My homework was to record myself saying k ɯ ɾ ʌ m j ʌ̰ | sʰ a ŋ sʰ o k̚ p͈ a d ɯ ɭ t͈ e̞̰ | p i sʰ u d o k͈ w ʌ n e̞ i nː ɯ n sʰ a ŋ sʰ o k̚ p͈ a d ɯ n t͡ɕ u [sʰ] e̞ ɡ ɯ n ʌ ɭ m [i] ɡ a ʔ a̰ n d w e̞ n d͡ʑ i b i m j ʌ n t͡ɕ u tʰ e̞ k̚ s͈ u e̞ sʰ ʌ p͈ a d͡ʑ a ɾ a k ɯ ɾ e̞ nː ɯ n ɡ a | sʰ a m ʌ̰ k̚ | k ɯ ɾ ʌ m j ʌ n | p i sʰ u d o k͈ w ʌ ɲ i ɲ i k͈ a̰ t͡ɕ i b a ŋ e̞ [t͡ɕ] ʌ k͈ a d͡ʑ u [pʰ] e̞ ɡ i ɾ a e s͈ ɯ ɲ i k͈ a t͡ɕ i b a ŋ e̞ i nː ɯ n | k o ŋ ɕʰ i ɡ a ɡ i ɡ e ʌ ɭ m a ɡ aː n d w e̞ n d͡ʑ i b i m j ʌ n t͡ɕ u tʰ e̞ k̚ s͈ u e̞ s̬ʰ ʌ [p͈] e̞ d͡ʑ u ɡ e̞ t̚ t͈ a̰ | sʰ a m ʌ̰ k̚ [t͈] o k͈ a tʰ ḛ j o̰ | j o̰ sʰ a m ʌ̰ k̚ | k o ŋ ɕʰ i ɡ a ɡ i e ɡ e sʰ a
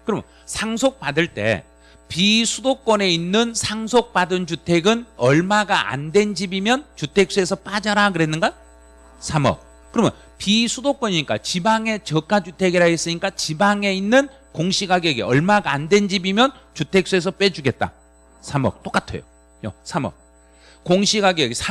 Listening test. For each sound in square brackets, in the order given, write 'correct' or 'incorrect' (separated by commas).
incorrect, incorrect, correct, incorrect, correct, correct